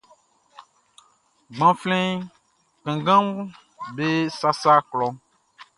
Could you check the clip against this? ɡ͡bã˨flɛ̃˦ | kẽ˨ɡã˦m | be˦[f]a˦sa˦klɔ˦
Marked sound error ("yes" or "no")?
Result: yes